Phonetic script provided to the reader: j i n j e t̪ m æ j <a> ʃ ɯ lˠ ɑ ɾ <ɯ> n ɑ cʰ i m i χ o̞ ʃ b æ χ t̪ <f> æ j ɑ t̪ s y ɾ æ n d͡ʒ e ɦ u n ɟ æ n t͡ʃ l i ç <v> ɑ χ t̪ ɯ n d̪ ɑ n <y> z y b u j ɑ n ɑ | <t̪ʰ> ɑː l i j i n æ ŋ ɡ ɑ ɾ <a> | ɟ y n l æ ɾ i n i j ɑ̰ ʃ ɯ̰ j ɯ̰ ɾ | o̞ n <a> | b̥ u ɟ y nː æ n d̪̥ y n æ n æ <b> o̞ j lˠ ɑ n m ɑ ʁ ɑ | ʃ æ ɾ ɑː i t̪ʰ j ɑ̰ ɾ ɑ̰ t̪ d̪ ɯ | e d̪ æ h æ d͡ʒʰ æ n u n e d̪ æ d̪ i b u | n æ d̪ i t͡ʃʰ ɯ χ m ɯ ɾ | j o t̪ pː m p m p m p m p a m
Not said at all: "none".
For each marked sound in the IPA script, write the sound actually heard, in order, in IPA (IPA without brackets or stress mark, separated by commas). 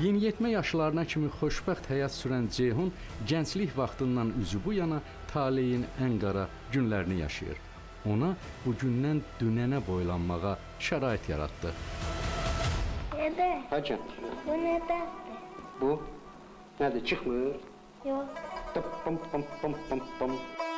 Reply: ɑ, ɯ, h, v, y, t̪ʰ, ɑ, ɑ, b